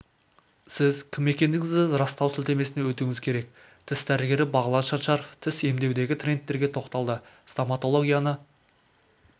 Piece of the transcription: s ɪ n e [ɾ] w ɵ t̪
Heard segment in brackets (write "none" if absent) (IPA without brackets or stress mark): none